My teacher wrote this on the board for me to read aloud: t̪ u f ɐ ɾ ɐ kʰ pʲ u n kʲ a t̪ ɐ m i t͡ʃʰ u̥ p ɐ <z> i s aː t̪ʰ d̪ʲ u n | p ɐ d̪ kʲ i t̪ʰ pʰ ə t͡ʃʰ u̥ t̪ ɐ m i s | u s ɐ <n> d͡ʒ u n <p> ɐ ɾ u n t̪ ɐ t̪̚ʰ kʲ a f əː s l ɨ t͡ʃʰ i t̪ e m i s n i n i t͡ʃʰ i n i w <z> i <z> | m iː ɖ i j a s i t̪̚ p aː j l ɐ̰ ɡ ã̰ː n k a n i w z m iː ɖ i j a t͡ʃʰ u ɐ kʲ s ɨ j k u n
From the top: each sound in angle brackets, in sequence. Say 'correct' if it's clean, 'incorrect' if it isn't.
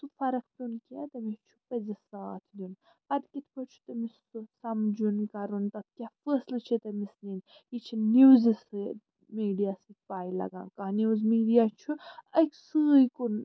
correct, incorrect: m, incorrect: k, correct, incorrect: s

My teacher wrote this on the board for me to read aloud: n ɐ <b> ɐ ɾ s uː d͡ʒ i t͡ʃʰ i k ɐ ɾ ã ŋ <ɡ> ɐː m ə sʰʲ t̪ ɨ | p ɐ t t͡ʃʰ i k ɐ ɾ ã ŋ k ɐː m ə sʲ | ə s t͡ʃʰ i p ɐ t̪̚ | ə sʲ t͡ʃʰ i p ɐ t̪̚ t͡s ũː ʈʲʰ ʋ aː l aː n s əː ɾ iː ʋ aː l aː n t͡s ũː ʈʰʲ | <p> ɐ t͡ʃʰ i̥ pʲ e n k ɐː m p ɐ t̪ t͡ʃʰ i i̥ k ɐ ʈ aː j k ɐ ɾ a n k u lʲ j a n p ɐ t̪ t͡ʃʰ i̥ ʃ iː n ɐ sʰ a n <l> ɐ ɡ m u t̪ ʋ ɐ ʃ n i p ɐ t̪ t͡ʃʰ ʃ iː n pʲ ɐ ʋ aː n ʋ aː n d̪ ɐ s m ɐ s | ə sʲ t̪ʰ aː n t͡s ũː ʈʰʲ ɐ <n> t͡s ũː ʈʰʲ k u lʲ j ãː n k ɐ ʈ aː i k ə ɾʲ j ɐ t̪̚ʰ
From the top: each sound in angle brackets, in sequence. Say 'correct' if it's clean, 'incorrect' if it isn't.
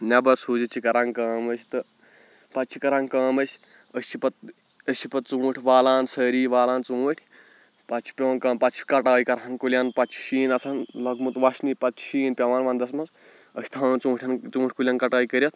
correct, incorrect: k, correct, correct, correct

